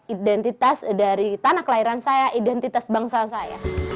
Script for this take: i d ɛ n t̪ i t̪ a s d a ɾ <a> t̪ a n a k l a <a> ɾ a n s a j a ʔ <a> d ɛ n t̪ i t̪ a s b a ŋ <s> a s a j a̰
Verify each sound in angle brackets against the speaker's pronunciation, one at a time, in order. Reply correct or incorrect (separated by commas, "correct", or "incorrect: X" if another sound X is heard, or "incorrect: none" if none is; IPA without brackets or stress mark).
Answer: incorrect: i, incorrect: i, incorrect: i, correct